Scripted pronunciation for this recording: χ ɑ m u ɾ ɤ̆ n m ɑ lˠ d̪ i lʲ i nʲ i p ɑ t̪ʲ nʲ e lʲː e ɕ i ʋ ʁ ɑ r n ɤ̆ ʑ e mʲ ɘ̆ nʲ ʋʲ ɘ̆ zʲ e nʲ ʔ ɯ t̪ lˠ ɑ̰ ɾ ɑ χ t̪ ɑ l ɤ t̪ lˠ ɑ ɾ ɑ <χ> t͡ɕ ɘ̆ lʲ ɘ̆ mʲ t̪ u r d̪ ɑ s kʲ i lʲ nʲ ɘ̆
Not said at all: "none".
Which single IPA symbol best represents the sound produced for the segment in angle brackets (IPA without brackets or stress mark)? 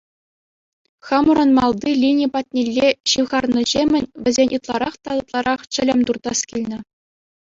χ